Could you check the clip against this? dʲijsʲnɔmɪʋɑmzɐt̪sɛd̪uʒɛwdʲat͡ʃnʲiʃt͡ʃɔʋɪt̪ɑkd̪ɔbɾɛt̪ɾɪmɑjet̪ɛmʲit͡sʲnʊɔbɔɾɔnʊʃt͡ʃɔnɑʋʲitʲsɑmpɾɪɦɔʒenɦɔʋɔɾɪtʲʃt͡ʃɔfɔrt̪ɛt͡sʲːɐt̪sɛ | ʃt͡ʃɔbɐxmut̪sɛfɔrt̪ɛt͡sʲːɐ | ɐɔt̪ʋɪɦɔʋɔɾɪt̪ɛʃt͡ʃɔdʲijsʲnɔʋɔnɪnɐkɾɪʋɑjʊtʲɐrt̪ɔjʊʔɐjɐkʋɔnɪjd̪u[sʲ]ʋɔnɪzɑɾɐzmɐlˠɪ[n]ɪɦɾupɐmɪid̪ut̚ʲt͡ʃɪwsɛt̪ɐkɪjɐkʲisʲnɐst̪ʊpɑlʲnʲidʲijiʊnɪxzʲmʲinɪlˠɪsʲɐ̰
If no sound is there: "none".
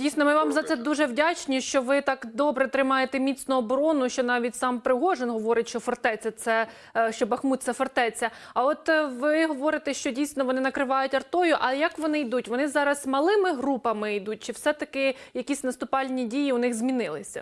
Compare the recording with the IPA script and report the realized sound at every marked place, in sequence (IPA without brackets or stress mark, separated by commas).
tʲ, m